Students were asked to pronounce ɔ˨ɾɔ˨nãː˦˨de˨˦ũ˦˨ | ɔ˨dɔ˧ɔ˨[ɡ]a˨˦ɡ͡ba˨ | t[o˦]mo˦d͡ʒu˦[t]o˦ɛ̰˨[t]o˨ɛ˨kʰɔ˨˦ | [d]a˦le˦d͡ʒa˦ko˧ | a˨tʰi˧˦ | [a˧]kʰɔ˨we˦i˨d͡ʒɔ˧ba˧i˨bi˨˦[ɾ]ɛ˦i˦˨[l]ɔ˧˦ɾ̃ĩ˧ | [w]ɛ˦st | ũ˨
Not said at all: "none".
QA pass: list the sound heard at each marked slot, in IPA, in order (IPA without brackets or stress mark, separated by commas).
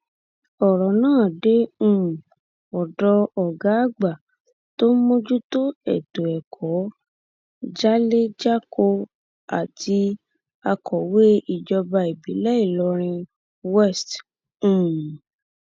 ɡ, o˦, t, t, d͡ʒ, a˧, l, l, w